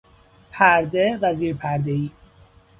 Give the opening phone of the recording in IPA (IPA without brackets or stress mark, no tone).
pʰ